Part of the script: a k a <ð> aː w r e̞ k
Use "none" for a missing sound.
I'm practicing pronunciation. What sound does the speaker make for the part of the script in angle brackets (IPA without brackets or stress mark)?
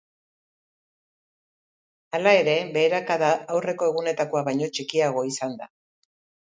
ð